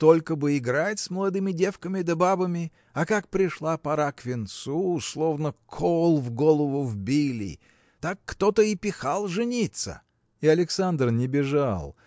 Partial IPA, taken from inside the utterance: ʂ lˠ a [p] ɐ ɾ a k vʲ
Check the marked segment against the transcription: correct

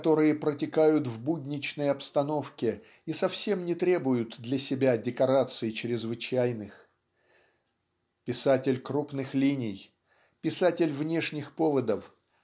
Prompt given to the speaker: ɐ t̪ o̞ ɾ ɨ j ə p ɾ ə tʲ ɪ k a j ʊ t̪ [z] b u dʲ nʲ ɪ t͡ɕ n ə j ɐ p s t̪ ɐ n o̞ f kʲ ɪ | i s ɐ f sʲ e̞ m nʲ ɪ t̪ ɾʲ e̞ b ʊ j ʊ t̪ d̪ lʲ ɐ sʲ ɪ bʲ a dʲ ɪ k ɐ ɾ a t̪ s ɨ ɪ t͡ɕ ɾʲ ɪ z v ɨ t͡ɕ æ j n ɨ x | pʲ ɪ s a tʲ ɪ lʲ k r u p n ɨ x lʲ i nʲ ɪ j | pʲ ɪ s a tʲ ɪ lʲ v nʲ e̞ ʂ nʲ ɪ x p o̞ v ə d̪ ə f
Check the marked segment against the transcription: incorrect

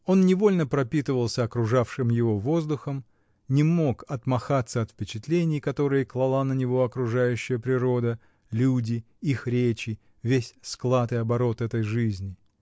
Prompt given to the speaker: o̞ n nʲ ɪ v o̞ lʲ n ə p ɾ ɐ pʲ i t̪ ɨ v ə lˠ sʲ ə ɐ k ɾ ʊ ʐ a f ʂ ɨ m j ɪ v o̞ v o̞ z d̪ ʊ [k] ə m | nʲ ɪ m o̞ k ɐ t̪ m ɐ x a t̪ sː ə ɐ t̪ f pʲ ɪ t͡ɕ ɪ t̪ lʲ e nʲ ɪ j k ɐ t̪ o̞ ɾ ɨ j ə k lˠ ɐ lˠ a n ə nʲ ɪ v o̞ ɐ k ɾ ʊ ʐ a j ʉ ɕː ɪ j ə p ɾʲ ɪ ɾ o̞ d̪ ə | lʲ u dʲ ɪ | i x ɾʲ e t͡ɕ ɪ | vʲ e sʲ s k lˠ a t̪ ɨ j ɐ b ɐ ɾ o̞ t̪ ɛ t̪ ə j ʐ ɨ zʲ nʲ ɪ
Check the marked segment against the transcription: incorrect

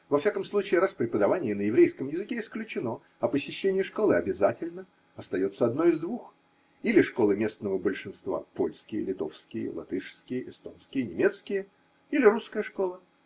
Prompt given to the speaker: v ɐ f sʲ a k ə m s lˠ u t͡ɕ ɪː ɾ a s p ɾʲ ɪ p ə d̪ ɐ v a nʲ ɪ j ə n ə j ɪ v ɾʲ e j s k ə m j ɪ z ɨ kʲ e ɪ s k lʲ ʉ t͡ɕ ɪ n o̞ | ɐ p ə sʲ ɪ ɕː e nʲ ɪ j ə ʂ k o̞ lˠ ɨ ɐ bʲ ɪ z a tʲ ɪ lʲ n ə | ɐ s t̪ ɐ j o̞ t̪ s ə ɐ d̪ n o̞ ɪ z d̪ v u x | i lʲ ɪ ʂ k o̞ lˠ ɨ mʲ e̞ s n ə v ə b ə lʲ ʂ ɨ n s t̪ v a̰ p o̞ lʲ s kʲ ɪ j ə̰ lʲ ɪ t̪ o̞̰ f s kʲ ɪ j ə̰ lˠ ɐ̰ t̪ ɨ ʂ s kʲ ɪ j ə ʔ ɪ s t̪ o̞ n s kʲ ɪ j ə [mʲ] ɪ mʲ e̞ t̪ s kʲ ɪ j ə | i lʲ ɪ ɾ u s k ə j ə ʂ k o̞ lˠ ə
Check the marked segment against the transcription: incorrect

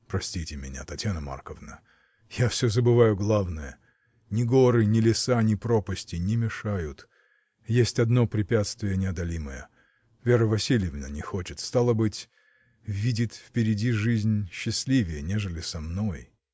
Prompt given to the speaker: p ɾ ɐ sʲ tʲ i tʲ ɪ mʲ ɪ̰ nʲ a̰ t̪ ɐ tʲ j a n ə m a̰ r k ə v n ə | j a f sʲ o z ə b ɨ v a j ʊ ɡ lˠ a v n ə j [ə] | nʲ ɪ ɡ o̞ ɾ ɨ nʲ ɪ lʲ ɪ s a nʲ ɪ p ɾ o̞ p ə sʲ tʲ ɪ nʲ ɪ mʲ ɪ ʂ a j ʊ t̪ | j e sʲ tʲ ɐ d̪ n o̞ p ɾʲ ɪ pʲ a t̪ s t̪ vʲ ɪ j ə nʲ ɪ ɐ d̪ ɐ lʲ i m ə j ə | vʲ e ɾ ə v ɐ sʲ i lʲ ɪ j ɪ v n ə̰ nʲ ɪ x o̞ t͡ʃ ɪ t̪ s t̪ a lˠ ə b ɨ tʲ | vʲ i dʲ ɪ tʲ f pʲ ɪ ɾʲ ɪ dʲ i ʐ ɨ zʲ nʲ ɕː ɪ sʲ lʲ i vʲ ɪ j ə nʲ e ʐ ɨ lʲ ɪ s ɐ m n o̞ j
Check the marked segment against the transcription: correct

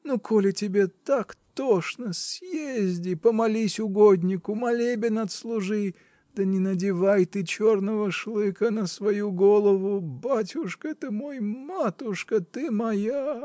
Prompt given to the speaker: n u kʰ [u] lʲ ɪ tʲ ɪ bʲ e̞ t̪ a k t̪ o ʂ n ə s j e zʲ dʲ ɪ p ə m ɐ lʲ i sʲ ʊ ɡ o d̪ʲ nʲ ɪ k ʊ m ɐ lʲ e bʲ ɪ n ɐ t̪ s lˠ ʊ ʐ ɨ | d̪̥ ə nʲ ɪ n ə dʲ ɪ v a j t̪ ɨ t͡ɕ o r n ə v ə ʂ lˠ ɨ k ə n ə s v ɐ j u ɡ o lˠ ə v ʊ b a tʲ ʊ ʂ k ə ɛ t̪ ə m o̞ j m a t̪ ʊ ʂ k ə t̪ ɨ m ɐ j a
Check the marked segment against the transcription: incorrect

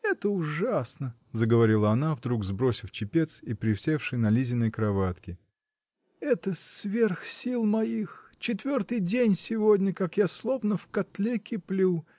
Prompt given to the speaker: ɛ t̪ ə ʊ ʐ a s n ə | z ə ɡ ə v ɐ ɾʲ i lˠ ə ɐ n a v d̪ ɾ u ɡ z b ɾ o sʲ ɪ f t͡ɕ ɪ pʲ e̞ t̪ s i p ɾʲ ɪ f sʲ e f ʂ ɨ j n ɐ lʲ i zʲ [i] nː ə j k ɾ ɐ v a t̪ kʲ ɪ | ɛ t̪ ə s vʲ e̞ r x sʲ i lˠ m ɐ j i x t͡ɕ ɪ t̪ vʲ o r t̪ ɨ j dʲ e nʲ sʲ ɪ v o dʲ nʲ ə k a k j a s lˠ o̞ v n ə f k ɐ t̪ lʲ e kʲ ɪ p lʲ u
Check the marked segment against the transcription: incorrect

